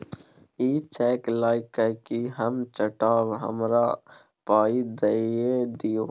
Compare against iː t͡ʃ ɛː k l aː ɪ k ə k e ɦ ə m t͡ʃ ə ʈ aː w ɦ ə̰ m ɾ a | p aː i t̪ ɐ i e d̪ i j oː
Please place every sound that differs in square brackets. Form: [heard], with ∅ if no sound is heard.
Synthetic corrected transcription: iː t͡ʃ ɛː k l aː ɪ k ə k [i] ɦ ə m t͡ʃ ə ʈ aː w ɦ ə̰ m ɾ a | p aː i [d̪] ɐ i e d̪ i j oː